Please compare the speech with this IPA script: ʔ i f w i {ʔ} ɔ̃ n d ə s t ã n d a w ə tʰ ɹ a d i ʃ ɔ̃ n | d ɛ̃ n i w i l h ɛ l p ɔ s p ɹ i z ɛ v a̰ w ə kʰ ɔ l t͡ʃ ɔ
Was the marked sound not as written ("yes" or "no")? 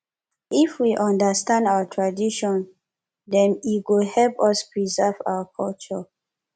no